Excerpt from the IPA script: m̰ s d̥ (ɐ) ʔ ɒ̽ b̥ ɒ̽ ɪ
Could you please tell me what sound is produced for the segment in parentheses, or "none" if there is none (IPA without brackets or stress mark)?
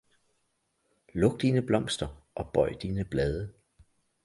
ɐ